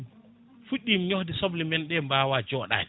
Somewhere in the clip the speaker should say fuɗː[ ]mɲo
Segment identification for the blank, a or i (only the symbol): i